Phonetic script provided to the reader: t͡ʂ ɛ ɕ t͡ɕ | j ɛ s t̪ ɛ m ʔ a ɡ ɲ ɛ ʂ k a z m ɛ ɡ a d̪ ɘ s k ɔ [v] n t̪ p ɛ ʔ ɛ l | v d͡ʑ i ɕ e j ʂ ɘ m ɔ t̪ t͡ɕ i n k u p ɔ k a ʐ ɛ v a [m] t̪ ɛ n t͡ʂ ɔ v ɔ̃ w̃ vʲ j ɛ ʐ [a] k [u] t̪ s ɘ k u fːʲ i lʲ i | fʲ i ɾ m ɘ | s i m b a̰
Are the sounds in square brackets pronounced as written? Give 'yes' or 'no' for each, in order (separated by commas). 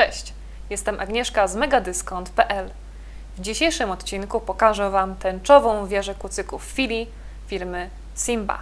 no, yes, no, yes